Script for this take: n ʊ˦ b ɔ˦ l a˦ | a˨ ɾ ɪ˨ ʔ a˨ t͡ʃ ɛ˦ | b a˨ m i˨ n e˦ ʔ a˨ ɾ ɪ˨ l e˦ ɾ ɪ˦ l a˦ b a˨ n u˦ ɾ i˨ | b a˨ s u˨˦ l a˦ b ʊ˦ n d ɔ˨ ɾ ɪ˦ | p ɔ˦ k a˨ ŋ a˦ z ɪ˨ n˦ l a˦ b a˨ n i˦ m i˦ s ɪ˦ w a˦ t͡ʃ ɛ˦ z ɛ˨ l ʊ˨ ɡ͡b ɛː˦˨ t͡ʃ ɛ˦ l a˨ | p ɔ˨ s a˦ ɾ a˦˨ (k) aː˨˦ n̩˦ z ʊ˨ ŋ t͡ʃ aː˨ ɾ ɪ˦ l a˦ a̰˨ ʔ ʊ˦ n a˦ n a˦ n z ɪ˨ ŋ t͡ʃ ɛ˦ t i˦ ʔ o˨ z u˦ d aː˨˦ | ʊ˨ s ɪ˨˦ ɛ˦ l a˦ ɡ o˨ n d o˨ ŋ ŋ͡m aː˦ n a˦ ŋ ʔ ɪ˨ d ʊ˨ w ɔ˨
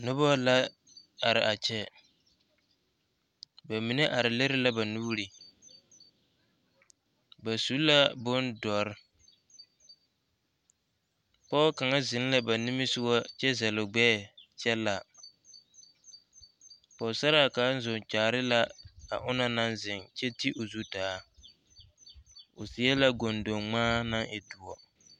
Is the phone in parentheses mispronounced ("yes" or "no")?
no